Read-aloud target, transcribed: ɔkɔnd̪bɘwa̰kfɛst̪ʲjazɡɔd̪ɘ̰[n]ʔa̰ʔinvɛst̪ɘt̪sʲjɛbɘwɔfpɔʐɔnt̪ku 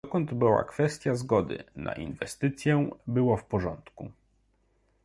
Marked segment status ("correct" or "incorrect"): correct